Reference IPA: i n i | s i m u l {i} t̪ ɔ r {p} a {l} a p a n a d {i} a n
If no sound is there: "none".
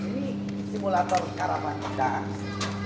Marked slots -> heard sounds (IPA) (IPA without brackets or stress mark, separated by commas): a, k, ɾ, a